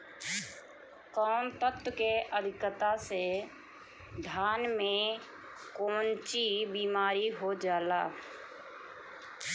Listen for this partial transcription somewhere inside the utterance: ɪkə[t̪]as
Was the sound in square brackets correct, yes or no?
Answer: yes